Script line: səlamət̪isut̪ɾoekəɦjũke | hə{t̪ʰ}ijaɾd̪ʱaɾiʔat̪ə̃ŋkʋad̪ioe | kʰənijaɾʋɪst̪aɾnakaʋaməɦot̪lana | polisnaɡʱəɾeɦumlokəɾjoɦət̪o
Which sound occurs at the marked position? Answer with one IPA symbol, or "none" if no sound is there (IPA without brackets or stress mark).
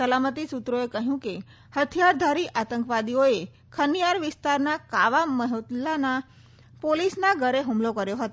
t̪ʰ